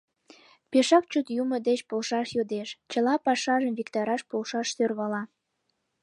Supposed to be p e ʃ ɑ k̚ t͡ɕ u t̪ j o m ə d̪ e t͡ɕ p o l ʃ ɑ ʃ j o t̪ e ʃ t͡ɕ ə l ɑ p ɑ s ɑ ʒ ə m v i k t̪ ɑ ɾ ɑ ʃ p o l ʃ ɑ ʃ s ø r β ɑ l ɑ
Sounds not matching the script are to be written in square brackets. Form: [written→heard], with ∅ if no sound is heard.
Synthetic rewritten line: p e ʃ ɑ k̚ t͡ɕ u t̪ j [o→u] m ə d̪ e t͡ɕ p o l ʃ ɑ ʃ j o [t̪→d̪] e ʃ t͡ɕ ə l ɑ p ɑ [s→ʃ] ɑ ʒ ə m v i k t̪ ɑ ɾ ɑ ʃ p o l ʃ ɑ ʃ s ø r β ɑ l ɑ